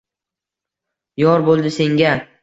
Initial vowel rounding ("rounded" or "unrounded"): rounded